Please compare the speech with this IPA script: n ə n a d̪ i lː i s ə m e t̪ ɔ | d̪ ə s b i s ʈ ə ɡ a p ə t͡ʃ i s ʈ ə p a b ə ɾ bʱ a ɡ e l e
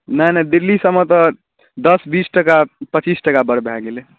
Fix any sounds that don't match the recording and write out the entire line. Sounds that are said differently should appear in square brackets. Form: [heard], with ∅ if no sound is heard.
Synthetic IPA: n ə n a d̪ i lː i s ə m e t̪ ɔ | d̪ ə s b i s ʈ ə [k] a p ə t͡ʃ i s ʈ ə [k] a b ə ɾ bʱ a ɡ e l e